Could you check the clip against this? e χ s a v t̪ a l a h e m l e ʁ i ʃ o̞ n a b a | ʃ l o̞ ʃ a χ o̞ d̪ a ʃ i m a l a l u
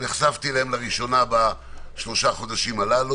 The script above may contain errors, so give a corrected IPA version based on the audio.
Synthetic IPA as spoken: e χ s a v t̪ i l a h e m l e ʁ i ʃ o̞ n a b a | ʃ l o̞ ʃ a χ o̞ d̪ a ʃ i m a l a l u